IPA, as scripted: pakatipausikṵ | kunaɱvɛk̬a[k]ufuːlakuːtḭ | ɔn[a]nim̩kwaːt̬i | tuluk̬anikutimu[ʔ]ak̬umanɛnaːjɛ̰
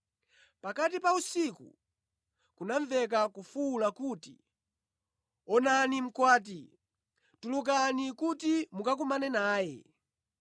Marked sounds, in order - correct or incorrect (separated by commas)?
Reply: correct, correct, incorrect